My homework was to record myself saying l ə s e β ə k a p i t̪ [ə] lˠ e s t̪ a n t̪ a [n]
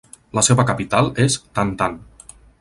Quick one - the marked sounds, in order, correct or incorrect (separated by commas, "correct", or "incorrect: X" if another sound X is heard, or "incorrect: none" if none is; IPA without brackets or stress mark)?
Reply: incorrect: a, correct